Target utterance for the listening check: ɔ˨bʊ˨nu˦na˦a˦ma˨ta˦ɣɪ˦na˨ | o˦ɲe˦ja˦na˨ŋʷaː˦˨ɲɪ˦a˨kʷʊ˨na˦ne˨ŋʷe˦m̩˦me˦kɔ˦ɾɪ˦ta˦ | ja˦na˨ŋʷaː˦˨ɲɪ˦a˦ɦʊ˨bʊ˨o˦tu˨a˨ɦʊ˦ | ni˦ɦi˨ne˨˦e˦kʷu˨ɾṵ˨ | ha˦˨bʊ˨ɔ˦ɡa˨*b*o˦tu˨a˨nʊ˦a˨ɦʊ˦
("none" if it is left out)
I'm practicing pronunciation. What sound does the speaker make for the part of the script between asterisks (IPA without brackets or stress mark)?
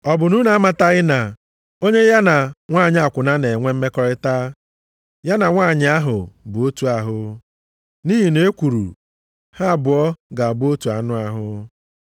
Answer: b